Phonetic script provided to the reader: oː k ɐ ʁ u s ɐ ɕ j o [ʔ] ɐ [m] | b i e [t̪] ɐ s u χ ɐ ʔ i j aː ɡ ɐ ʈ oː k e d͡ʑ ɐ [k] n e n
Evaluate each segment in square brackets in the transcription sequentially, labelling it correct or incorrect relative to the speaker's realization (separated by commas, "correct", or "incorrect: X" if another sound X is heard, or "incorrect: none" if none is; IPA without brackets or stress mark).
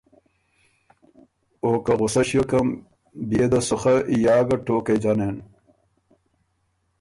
incorrect: k, correct, incorrect: d̪, incorrect: none